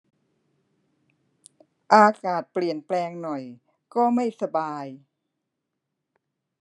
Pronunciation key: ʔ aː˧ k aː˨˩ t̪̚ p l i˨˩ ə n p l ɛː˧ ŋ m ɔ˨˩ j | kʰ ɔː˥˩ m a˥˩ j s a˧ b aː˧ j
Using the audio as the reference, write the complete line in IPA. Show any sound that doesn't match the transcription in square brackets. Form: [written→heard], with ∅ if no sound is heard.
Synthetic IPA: ʔ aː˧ k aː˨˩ t̪̚ p l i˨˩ ə n p l ɛː˧ ŋ [m→n] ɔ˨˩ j | [kʰ→k] ɔː˥˩ m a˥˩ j s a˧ b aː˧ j